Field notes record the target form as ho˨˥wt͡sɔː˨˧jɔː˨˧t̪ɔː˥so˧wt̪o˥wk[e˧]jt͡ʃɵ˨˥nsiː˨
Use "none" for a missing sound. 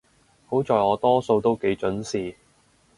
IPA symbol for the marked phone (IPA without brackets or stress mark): e˨˥